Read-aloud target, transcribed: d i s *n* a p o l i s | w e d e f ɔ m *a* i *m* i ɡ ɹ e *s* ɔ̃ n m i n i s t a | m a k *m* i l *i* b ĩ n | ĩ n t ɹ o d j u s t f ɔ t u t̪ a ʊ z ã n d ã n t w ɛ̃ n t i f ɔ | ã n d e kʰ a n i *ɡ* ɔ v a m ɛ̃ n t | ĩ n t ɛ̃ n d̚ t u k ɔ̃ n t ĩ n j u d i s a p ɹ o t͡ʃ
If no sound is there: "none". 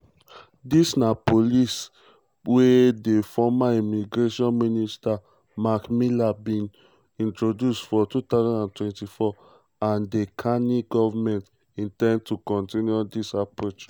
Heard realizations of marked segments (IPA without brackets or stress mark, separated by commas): n, a, m, ʃ, m, a, ɡ